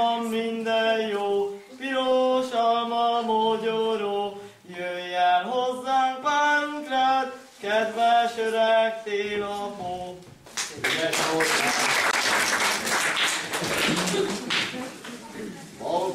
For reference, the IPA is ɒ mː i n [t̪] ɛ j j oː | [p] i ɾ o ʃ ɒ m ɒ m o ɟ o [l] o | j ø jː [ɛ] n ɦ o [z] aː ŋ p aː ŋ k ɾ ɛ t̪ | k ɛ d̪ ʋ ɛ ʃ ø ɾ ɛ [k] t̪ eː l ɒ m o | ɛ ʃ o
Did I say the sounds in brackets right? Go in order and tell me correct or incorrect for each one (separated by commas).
incorrect, correct, incorrect, correct, incorrect, correct